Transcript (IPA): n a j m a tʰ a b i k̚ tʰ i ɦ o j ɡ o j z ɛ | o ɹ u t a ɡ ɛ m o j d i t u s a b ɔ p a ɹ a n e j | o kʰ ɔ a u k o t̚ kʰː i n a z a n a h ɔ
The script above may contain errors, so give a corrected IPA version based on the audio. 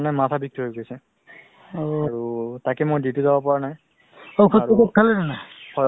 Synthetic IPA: n a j m a tʰ a b i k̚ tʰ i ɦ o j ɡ o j s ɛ | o ɹ u t a k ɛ m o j d i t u z a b ɔ p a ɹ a n a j | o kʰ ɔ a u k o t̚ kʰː a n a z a n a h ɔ